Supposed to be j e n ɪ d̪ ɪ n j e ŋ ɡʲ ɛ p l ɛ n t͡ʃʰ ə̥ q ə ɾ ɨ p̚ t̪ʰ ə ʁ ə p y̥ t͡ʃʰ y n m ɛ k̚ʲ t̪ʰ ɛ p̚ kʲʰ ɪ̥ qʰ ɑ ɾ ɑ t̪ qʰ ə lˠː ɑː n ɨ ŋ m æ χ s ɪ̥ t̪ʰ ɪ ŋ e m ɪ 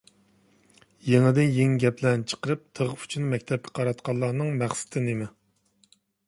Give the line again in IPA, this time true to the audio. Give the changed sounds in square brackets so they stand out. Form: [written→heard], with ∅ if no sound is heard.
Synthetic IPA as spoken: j e [n→ŋ] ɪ d̪ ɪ n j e ŋ ɡʲ ɛ p l ɛ n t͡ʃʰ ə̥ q ə ɾ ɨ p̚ t̪ʰ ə ʁ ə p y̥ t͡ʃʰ y n m ɛ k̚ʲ t̪ʰ ɛ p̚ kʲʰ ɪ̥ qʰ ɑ ɾ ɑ t̪ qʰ [ə→ɑ] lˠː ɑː n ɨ ŋ m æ χ s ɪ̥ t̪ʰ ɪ [ŋ→n] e m ɪ